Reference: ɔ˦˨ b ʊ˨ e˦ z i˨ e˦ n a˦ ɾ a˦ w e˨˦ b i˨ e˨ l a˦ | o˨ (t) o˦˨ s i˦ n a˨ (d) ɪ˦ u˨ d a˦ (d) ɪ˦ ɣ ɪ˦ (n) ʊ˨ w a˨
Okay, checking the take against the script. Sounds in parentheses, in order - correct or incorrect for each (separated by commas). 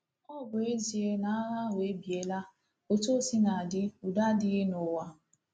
correct, correct, correct, correct